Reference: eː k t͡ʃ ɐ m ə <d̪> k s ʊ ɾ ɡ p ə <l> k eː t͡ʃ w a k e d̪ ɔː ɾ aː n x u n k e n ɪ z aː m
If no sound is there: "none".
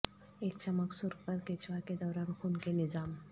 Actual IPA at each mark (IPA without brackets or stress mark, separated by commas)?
none, ɾ